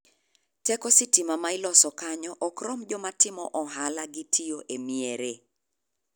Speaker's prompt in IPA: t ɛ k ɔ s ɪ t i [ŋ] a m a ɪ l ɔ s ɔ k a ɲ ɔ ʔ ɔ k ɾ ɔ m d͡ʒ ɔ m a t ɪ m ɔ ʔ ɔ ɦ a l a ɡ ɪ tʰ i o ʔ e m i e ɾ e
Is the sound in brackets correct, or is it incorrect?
incorrect